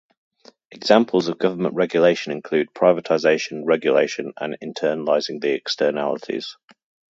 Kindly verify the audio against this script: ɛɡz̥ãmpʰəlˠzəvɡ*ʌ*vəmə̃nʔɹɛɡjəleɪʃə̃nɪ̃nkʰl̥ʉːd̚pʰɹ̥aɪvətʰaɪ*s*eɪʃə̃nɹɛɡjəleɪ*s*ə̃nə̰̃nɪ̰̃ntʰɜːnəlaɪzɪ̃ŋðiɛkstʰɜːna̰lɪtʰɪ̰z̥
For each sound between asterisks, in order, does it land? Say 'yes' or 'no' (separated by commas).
yes, no, no